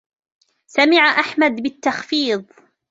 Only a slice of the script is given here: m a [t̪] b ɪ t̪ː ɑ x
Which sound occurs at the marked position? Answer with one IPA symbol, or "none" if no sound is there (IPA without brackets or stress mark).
d̪